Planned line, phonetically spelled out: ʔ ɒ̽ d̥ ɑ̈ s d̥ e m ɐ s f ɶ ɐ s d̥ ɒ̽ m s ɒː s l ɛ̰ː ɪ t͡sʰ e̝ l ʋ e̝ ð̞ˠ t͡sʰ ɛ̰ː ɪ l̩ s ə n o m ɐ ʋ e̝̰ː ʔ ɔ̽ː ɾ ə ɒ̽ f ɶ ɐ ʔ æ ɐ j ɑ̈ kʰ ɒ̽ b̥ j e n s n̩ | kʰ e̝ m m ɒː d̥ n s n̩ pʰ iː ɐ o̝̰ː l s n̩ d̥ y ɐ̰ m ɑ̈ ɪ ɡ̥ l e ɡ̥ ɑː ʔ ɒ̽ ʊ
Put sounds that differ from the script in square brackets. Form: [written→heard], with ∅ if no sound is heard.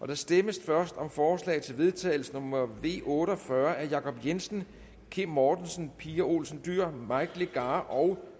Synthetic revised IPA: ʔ ɒ̽ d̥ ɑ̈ s d̥ e m [ɐ→ə] s f ɶ ɐ s d̥ ɒ̽ m [s→f] ɒː s l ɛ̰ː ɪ t͡sʰ e̝ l ʋ e̝ ð̞ˠ t͡sʰ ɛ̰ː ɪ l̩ s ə n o m ɐ ʋ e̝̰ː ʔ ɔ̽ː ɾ ə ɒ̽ f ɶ ɐ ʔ æ ɐ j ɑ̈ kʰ ɒ̽ b̥ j e n s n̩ | kʰ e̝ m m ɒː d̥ n s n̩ pʰ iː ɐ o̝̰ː l s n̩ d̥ y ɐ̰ m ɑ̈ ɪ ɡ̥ l e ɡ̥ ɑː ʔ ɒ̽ ʊ